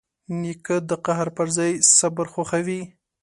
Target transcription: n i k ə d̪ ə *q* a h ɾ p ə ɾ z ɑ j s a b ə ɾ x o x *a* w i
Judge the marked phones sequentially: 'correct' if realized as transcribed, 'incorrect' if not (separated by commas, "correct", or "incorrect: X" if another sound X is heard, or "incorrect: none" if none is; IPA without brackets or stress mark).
correct, correct